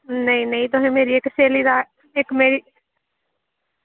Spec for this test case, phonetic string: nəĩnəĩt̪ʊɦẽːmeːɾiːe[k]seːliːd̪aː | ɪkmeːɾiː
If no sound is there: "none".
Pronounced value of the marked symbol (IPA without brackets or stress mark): k